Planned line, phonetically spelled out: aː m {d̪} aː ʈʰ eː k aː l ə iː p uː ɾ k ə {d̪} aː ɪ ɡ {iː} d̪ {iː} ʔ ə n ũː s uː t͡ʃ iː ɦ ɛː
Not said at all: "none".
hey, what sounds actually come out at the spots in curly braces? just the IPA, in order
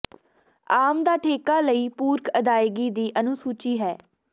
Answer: d̪, d̪, iː, iː

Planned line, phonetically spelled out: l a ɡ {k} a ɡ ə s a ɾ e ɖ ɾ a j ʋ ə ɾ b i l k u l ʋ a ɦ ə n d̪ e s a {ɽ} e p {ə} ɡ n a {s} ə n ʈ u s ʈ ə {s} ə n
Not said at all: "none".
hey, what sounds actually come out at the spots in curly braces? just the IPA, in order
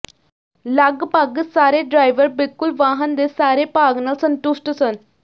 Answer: p, ɾ, a, s, s

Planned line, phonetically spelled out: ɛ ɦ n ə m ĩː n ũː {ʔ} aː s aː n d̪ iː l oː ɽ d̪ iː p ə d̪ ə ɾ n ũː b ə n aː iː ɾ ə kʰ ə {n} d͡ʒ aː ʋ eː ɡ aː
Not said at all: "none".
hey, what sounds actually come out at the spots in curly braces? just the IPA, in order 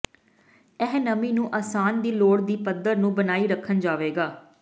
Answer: ʔ, n

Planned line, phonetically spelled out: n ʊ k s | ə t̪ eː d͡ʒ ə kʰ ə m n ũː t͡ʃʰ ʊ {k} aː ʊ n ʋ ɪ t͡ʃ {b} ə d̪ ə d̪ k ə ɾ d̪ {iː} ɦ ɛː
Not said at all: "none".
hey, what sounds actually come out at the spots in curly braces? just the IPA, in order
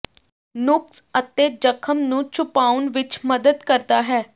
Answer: p, m, aː

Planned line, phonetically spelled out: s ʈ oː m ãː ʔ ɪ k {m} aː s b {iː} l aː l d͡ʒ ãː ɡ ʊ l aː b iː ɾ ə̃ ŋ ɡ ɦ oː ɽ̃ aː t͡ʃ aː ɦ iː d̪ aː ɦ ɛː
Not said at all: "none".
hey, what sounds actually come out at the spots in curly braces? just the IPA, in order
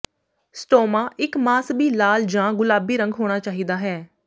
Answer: m, iː

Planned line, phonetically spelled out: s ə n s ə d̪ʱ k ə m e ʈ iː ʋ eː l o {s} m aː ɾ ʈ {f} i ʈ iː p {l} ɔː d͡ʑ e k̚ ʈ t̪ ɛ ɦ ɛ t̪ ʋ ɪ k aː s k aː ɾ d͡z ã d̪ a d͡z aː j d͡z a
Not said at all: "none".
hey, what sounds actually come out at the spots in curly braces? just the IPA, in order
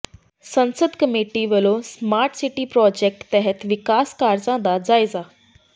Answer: s, s, ɾ

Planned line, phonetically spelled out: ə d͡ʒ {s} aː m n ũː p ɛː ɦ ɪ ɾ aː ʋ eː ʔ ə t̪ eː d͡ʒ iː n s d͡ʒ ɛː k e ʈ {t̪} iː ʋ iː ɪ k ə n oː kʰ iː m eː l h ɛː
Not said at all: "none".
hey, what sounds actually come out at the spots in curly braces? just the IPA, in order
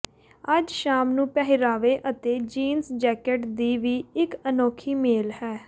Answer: ʃ, d̪

